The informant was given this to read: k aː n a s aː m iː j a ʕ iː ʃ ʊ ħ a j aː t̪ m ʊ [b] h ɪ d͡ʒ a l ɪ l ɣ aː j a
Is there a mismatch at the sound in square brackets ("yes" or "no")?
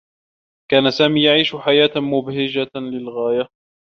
no